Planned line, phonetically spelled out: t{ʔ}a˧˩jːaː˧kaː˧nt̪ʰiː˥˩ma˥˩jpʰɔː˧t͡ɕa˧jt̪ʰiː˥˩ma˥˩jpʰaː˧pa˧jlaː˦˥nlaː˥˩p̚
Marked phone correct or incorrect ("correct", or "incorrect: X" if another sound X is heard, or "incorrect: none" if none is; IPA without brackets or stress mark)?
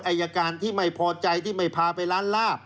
correct